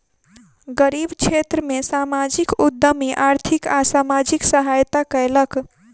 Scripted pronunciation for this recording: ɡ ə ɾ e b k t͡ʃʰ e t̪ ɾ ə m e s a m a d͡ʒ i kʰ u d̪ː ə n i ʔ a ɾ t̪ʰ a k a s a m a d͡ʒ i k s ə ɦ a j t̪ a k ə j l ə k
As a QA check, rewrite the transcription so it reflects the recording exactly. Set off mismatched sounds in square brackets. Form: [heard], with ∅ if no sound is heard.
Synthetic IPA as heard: ɡ ə ɾ [i] b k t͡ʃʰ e t̪ ɾ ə m e s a m a d͡ʒ i [k] u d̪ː ə [m] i ʔ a ɾ t̪ʰ [i] k a s a m a d͡ʒ i k s ə ɦ a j t̪ a k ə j l ə k